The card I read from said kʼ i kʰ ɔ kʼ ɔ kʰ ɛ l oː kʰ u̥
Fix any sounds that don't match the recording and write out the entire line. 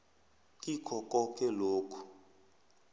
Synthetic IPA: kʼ i kʰ ɔ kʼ ɔ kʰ ɛ l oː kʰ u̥